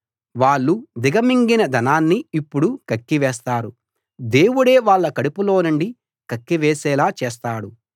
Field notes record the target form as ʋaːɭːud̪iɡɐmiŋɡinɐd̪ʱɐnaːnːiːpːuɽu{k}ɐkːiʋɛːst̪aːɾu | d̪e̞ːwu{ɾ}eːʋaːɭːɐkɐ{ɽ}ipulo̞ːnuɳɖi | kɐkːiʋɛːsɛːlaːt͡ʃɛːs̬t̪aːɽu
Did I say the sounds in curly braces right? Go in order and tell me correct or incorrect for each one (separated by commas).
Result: correct, incorrect, correct